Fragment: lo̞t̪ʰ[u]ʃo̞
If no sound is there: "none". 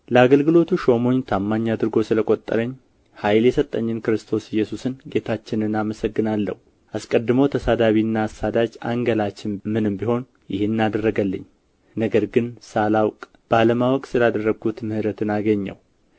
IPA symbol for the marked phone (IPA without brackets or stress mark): u